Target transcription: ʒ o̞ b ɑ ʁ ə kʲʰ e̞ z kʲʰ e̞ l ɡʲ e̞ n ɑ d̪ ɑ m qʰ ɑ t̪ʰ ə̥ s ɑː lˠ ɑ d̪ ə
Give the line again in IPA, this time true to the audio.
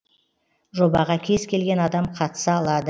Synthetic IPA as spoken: ʒ o̞ b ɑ ʁ ɑ kʲʰ e̞ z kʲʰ e̞ l ɡʲ e̞ n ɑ d̪ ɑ m qʰ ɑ t̪ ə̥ s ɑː lˠ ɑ d̪ ə